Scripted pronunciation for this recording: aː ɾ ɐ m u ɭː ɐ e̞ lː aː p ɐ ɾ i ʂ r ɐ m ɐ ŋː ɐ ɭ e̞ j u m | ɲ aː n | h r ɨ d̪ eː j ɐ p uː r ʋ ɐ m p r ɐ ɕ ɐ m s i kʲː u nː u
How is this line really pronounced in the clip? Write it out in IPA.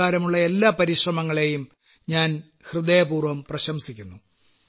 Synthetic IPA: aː ɾ ɐ m u ɭː ɐ e̞ lː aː p ɐ ɾ i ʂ r ɐ m ɐ ŋː ɐ ɭ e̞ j u m | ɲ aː n | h r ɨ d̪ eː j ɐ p uː r ʋ ɐ m p r ɐ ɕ ɐ m s i kʲː u nː u